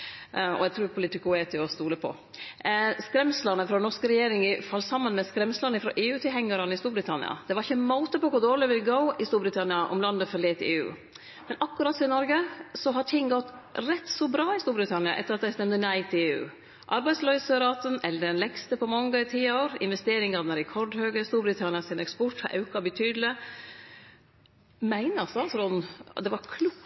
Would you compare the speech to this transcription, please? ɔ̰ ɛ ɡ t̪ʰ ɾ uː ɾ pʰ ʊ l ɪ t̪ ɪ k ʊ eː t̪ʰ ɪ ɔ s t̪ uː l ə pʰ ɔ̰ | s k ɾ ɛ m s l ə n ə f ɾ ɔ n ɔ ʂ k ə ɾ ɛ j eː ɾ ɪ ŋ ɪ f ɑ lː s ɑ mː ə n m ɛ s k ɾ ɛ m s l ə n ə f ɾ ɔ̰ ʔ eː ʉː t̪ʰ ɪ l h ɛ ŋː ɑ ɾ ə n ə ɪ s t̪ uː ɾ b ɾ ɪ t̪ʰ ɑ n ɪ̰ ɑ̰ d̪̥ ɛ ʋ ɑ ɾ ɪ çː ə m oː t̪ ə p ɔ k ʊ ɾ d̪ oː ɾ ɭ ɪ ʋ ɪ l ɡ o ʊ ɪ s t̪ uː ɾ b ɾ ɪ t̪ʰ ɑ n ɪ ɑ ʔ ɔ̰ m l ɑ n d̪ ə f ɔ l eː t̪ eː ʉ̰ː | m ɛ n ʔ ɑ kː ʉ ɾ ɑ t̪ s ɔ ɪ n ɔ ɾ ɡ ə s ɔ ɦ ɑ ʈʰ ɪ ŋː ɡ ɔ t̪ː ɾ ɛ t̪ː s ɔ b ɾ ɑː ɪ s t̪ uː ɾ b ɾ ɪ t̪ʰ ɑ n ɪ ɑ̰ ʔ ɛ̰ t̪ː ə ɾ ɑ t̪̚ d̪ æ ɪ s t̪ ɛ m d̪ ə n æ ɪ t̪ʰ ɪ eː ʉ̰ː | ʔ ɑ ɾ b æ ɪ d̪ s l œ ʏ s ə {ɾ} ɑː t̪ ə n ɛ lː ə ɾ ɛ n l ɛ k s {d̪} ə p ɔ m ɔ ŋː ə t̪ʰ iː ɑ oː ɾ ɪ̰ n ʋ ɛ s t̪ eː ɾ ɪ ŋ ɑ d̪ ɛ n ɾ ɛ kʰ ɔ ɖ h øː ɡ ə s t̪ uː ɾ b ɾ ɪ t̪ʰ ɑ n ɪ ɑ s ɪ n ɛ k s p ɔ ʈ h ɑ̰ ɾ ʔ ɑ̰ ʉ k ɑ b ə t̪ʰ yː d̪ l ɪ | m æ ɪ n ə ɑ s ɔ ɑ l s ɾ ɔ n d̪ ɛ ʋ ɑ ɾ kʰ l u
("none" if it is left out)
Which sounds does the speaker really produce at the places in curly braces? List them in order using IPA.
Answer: ɾ, t̪

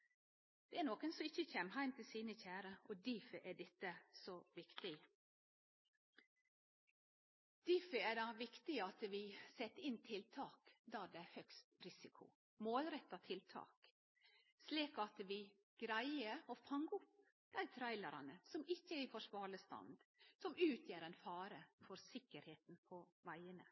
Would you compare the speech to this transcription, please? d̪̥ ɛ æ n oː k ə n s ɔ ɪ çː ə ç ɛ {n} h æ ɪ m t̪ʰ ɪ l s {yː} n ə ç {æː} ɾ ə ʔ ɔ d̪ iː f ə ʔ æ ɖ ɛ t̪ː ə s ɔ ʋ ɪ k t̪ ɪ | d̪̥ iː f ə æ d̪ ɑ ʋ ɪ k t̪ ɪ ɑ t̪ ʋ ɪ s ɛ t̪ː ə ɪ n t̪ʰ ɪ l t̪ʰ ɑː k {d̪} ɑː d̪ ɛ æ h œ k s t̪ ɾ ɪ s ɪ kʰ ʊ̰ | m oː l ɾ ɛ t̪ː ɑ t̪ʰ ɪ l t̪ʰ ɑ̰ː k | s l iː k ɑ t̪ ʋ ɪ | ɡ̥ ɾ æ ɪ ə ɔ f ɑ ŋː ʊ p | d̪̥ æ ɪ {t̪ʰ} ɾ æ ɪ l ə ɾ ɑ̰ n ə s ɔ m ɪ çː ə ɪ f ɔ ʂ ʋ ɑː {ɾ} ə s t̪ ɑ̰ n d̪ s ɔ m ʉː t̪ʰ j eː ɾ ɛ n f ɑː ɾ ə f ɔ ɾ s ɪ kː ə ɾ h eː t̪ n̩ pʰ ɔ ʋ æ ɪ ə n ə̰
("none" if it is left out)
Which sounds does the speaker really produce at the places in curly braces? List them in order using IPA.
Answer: m, iː, æː, d̪, t̪ʰ, ɭ

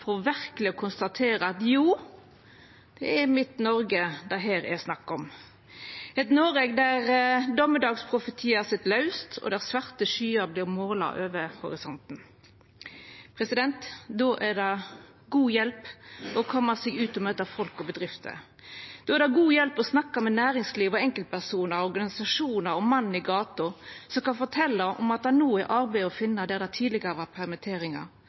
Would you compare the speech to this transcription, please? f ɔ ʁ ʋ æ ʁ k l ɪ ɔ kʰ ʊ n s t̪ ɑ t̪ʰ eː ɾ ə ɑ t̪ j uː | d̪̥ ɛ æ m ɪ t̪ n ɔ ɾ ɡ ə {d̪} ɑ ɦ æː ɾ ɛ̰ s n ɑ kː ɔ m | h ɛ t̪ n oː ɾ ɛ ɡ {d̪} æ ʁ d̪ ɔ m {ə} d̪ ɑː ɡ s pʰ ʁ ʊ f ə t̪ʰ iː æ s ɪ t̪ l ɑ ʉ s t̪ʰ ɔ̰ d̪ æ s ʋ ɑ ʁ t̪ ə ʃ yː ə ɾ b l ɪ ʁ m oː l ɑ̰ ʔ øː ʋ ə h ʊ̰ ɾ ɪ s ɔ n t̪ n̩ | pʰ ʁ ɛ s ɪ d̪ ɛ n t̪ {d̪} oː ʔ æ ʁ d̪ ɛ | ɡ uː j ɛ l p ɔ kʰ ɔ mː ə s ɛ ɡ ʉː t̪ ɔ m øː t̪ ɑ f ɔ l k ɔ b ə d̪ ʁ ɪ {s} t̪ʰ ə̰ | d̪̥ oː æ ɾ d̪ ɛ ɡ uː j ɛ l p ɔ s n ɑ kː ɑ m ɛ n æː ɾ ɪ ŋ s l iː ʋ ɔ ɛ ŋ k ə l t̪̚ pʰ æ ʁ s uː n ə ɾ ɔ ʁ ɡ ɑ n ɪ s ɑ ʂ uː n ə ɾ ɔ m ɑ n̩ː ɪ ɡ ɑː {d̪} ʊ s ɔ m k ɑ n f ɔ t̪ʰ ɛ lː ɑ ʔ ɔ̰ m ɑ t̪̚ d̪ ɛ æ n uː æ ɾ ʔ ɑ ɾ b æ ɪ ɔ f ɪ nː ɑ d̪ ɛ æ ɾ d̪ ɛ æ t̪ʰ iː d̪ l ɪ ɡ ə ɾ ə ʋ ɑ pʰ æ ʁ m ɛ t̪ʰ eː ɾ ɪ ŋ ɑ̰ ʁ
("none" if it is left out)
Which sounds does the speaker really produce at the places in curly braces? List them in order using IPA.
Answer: d̪, d̪, ə, d̪, f, t̪

